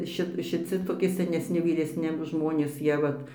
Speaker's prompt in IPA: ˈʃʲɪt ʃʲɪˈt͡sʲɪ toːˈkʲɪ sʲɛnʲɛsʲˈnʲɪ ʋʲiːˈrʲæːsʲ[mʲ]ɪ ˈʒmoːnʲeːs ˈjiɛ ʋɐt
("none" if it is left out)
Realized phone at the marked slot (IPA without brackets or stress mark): nʲ